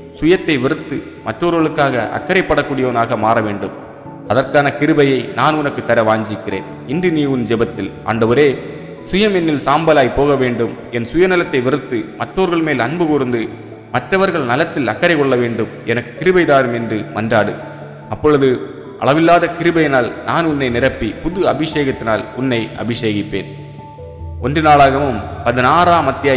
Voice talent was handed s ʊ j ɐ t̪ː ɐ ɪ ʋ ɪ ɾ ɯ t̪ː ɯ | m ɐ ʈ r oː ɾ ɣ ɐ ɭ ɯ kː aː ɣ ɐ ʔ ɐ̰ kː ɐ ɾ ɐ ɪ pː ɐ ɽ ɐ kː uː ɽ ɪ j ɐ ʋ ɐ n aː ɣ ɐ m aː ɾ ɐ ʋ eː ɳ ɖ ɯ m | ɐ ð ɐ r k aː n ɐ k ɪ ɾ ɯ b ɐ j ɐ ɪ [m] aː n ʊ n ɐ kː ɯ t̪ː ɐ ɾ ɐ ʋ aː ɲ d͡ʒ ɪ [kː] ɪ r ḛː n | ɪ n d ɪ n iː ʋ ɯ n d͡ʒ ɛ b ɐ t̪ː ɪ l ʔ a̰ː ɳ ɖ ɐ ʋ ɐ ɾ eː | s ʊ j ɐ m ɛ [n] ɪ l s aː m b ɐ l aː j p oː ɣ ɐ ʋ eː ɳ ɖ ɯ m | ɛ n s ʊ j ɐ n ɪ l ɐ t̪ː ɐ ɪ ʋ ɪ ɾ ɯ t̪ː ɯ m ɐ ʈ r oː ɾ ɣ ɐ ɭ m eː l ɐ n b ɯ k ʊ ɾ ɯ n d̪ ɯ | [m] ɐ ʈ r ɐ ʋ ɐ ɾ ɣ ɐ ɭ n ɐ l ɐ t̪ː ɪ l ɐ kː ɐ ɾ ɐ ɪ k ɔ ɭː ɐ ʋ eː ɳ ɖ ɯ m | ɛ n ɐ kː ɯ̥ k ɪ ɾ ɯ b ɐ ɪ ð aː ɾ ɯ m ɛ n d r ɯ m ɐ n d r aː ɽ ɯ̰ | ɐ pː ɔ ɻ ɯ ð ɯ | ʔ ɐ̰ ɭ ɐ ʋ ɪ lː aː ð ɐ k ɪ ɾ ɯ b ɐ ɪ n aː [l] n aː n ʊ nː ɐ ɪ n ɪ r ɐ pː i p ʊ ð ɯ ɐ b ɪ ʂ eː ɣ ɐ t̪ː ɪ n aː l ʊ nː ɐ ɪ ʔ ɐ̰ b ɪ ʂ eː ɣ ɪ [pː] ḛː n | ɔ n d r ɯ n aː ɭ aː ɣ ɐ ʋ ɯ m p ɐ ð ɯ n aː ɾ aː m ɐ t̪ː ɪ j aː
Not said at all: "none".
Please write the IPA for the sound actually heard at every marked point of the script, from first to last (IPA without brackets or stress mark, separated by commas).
n, kː, nː, m, l, pː